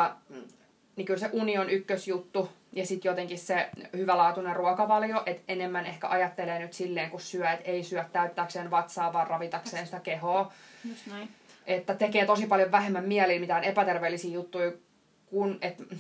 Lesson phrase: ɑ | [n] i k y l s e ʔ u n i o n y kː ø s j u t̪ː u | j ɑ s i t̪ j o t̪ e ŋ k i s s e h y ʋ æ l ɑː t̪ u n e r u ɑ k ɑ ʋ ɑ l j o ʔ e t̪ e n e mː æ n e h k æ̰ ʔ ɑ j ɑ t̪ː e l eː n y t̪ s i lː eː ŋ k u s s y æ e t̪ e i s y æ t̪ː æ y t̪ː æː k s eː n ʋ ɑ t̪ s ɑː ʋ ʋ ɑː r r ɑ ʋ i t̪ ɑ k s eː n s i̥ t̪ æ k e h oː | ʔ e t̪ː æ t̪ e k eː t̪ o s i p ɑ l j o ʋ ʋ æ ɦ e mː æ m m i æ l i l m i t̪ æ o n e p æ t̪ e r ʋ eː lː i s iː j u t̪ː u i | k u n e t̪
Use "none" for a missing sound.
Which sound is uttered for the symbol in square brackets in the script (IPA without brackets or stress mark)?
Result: n